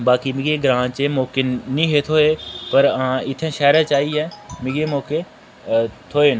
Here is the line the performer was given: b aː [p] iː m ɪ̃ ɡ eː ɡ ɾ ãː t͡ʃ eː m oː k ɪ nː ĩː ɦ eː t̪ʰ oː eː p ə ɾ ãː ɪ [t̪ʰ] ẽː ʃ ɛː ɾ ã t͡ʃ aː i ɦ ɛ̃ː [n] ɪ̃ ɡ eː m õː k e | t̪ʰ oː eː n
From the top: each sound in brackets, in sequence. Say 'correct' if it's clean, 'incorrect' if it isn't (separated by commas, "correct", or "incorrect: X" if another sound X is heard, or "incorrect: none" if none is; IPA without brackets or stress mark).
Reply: incorrect: k, correct, incorrect: m